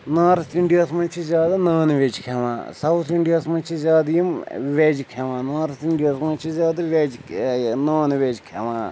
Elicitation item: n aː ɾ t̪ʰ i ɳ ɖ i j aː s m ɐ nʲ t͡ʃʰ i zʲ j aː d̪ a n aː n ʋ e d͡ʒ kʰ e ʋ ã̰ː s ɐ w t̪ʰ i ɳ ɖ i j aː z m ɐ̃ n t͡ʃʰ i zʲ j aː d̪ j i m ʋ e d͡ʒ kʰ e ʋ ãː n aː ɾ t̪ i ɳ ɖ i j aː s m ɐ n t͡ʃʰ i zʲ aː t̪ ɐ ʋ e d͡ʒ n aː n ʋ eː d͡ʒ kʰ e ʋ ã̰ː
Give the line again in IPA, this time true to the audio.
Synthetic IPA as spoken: n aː ɾ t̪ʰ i ɳ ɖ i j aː s m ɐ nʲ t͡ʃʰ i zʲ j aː d̪ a n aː n ʋ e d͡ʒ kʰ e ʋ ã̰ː s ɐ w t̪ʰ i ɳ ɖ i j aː s m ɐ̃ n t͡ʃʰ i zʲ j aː d̪ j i m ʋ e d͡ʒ kʰ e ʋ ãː n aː ɾ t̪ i ɳ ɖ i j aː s m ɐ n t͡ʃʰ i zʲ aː d̪ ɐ ʋ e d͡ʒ n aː n ʋ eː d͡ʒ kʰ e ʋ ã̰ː